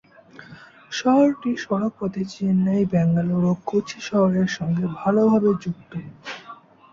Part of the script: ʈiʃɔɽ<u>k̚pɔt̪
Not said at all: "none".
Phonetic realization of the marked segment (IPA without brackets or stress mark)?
o